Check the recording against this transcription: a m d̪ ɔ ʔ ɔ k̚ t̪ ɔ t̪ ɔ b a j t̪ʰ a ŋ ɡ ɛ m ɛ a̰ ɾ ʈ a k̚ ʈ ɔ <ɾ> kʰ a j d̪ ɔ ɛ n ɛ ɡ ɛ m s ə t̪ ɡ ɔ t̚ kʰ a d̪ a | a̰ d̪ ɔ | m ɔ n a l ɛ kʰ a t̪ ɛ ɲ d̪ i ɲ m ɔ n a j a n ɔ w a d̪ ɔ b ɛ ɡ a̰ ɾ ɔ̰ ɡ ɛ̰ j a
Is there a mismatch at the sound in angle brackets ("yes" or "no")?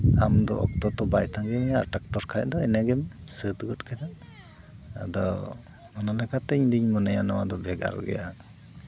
no